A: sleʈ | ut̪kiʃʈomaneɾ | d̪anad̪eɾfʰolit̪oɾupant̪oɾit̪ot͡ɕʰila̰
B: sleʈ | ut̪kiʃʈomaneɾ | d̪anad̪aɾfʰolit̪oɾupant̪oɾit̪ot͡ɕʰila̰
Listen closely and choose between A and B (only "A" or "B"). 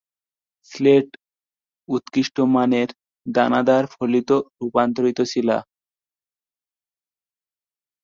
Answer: B